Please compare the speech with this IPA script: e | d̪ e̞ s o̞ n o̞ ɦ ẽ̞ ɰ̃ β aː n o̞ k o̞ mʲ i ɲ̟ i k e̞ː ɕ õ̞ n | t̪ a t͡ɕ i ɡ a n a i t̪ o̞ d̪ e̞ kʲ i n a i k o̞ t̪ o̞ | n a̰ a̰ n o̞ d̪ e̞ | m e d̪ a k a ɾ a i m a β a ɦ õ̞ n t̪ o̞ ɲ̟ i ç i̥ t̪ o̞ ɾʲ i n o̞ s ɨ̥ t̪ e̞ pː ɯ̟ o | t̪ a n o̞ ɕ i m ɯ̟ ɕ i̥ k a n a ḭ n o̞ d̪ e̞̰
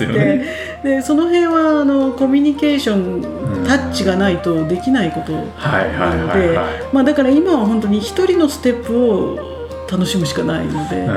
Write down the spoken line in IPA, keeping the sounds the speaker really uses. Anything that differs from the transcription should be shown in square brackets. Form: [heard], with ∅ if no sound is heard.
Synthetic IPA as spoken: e | d̪ e̞ s o̞ n o̞ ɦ ẽ̞ ɰ̃ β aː n o̞ k o̞ mʲ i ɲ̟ i k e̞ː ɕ õ̞ n | t̪ a t͡ɕ i ɡ a n a i t̪ o̞ d̪ e̞ kʲ i n a i k o̞ t̪ o̞ | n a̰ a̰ n o̞ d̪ e̞ | m [a] d̪ a k a ɾ a i m a β a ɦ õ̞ n t̪ o̞ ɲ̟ i ç i̥ t̪ o̞ ɾʲ i n o̞ s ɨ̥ t̪ e̞ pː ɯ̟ o | t̪ a n o̞ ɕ i m ɯ̟ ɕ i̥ k a n a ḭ n o̞ d̪ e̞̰